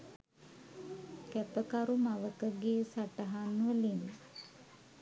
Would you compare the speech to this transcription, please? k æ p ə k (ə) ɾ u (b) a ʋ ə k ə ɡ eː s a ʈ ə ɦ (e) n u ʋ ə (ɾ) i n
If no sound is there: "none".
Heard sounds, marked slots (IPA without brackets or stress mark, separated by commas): a, m, a, l